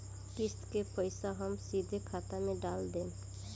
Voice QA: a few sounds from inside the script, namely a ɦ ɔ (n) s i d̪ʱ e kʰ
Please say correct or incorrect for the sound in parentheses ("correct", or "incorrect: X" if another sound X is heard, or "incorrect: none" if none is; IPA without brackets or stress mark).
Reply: incorrect: m